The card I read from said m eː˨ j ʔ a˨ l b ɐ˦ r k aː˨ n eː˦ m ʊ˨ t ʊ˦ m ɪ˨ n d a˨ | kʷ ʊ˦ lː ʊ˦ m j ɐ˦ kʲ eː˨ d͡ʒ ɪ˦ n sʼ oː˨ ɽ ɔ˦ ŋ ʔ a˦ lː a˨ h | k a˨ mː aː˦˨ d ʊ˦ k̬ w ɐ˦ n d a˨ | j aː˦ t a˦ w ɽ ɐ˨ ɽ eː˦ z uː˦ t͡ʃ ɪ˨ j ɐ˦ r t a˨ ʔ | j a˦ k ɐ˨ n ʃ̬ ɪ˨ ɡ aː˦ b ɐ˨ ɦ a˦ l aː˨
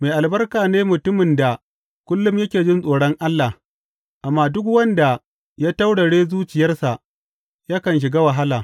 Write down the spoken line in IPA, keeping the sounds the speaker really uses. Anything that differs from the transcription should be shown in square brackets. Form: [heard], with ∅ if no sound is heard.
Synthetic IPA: m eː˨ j ʔ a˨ l b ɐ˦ r k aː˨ n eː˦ m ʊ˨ t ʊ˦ m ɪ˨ n d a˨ | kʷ ʊ˦ lː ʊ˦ m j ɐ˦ kʲ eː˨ d͡ʒ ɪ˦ n sʼ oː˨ ɽ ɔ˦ ŋ ʔ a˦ lː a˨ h | [ʔ] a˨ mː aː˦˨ d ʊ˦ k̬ w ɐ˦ n d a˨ | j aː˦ t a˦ w ɽ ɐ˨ ɽ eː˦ z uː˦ t͡ʃ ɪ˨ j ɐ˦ r [s] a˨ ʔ | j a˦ k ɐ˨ n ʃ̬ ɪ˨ ɡ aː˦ [w] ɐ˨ ɦ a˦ l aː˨